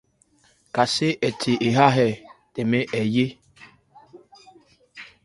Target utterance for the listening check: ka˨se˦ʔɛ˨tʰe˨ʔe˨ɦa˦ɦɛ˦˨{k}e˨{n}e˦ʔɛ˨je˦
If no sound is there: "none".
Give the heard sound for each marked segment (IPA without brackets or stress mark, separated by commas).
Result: t, m